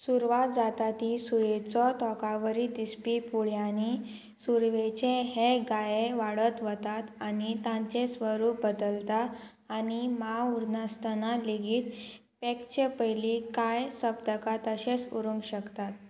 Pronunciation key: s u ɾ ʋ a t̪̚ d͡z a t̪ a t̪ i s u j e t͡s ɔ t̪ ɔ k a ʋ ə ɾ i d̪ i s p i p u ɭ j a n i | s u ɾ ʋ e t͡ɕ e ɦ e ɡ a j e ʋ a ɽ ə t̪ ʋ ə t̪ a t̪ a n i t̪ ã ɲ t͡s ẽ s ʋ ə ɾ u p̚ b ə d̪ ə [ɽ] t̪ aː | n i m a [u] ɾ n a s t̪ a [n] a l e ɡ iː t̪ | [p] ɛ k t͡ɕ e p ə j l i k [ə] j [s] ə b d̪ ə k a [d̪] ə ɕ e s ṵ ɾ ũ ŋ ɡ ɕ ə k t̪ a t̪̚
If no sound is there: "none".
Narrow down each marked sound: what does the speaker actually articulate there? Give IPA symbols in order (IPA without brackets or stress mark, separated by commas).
l, u, n, p, a, s, t̪